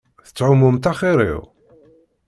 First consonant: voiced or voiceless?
voiceless